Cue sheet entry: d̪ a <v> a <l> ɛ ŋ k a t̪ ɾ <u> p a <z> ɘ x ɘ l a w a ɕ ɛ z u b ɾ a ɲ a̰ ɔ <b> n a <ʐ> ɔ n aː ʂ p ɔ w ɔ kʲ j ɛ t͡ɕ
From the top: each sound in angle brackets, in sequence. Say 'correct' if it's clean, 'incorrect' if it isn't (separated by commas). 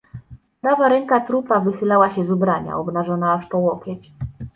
correct, incorrect, correct, incorrect, correct, correct